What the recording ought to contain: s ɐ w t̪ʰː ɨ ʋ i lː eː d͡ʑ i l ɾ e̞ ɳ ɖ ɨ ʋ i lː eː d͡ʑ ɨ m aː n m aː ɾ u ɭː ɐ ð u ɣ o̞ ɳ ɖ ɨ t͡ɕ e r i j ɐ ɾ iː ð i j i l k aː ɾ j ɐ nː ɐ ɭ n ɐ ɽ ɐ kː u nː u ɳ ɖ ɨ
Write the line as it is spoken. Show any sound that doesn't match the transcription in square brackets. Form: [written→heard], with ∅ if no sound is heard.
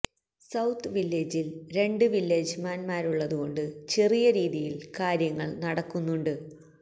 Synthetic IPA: s ɐ w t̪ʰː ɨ ʋ i lː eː d͡ʑ i l ɾ e̞ ɳ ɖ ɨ ʋ i lː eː d͡ʑ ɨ m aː n m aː ɾ u ɭː ɐ ð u ɣ o̞ ɳ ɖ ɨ t͡ɕ e r i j ɐ ɾ iː ð i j i l k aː ɾ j ɐ [nː→ŋː] ɐ ɭ n ɐ ɽ ɐ kː u nː u ɳ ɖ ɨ